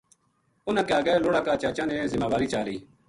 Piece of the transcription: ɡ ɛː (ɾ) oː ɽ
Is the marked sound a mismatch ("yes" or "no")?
yes